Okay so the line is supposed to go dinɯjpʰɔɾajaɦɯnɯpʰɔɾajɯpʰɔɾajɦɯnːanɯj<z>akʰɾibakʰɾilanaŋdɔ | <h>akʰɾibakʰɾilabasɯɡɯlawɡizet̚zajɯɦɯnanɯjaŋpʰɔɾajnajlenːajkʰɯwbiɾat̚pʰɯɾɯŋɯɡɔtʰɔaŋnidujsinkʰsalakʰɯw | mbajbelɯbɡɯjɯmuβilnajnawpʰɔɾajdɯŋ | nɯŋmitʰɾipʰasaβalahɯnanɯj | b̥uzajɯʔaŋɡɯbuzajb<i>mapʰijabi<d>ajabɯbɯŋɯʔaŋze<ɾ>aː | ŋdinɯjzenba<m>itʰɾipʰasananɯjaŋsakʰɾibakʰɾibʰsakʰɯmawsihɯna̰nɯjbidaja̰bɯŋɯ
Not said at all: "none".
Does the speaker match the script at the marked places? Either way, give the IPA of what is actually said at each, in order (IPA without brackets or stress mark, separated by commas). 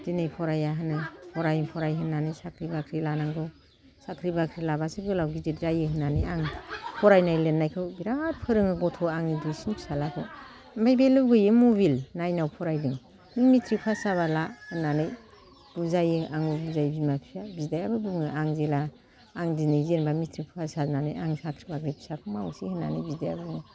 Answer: s, s, i, d, l, m